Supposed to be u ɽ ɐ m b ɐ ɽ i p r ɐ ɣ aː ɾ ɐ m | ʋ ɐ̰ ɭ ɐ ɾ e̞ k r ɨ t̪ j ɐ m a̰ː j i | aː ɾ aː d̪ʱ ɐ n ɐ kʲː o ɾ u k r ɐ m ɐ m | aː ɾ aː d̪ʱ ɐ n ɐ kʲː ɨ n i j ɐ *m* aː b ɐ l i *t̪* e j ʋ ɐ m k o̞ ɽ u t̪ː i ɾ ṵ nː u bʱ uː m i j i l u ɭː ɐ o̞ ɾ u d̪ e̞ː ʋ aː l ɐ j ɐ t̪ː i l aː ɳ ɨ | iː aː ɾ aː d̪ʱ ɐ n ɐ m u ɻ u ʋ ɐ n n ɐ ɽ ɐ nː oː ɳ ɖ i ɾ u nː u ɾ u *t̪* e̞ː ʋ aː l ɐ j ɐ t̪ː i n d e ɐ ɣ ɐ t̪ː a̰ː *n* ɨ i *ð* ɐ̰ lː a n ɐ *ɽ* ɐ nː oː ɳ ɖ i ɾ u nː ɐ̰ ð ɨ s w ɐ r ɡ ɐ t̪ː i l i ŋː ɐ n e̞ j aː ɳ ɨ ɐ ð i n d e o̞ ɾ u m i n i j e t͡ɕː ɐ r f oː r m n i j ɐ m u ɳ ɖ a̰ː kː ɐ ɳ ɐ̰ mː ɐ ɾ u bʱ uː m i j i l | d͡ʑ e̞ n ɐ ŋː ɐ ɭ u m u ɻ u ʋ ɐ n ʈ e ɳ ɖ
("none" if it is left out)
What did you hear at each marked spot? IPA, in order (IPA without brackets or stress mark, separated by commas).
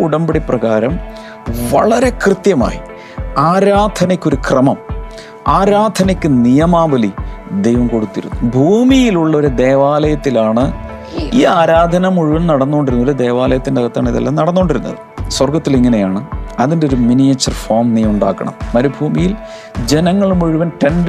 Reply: m, d̪, d̪, ɳ, ð, ɽ